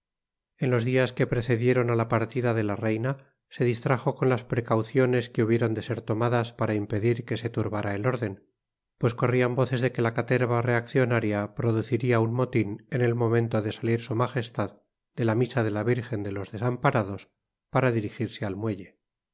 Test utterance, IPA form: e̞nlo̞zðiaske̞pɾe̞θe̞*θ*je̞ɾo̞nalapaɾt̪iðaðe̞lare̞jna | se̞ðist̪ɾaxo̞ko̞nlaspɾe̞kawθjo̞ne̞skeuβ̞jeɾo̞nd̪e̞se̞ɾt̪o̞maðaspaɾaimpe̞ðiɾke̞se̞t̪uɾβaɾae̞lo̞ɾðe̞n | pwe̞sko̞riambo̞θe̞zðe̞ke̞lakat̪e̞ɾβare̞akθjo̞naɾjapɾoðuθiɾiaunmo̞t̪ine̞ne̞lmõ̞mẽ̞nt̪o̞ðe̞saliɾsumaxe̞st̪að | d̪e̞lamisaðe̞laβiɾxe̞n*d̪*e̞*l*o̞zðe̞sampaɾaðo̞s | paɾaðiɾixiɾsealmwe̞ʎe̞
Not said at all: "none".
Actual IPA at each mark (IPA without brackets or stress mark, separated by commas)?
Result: ð, d̪, l